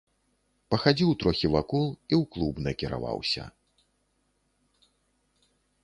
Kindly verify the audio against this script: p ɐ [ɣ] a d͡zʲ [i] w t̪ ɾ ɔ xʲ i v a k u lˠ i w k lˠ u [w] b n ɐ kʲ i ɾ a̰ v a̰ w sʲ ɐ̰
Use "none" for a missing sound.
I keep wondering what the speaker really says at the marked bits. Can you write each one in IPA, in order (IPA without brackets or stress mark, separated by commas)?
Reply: x, i, none